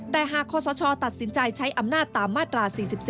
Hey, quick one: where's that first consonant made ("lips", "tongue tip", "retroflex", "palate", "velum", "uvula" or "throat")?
tongue tip